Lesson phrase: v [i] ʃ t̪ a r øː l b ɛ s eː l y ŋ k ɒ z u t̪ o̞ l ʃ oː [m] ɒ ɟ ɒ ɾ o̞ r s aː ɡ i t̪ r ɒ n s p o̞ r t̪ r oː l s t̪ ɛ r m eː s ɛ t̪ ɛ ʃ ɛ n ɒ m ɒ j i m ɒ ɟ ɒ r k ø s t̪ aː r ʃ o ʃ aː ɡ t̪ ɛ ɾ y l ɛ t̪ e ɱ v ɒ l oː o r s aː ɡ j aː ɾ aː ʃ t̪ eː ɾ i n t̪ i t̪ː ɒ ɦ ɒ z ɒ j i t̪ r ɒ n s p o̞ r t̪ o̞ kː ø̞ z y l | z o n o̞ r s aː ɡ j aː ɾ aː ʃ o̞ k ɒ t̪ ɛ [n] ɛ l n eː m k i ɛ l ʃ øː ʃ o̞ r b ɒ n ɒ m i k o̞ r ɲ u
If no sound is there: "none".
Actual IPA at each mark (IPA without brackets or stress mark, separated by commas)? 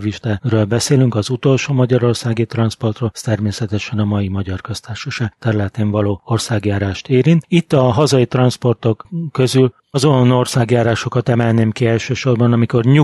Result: i, m, m